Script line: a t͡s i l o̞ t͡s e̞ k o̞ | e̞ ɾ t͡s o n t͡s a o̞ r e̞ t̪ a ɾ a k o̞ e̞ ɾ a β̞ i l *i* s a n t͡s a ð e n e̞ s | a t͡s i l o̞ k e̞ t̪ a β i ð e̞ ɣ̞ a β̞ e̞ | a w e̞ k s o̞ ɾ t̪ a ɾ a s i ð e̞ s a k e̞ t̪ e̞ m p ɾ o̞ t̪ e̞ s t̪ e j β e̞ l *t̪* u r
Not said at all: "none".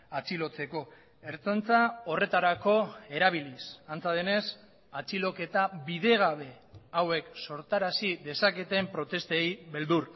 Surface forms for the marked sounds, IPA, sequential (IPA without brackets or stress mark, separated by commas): i, d̪